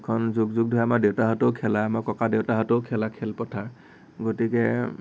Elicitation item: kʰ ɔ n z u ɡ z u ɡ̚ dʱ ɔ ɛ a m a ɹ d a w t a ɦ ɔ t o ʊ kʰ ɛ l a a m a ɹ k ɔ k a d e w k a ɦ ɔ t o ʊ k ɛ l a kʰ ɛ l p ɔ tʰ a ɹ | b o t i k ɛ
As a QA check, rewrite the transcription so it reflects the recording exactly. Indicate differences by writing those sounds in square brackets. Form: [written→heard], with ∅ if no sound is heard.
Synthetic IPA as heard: kʰ ɔ n z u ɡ z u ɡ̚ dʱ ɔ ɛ a m a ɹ d [a→e] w t a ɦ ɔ t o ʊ kʰ ɛ l a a m a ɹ k ɔ k a d e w [k→t] a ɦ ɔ t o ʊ [k→kʰ] ɛ l a kʰ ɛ l p ɔ tʰ a ɹ | [b→ɡ] o t i k ɛ